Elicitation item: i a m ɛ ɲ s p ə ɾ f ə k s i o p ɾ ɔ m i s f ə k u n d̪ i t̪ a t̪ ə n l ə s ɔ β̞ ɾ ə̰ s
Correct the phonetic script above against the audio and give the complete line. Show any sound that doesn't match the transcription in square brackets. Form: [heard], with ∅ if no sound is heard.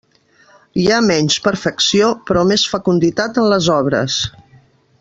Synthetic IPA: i a m ɛ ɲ s p ə ɾ f ə k s i o p ɾ ɔ m [e] s f ə k u n d̪ i t̪ a t̪ ə n l ə [z] ɔ β̞ ɾ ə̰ s